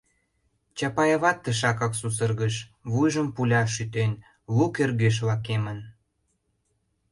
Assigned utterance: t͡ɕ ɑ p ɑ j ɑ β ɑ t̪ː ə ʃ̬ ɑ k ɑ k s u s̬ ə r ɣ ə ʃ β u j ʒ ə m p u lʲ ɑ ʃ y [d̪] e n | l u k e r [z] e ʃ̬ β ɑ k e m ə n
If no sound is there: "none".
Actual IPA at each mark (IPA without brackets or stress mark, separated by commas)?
t̪, ɣ